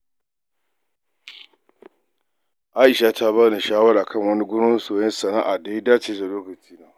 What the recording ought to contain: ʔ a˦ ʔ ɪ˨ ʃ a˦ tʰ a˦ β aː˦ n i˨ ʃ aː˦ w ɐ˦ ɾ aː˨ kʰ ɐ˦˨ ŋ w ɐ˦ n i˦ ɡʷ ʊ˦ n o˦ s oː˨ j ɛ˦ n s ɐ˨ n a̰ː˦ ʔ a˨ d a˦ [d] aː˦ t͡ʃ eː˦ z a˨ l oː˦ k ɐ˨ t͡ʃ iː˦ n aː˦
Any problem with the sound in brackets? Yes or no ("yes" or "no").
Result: no